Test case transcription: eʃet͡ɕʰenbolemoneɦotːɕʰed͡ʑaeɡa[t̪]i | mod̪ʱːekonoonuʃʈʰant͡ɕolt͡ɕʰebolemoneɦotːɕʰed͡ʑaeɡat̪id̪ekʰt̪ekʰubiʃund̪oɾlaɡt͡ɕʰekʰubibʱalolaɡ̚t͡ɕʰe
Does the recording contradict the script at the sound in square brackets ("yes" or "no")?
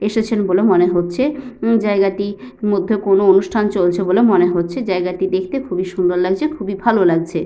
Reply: no